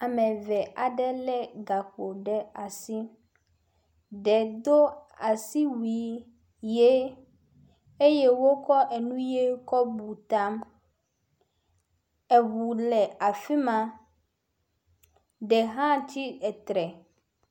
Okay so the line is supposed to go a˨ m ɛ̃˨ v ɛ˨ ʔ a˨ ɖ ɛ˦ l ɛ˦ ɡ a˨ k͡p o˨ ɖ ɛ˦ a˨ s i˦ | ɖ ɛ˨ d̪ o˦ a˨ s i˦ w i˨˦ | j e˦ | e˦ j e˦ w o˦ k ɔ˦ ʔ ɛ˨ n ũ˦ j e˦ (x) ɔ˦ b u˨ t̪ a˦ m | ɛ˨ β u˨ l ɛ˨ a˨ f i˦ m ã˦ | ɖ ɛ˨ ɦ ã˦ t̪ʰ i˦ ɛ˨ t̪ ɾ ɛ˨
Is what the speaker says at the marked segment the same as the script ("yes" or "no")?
no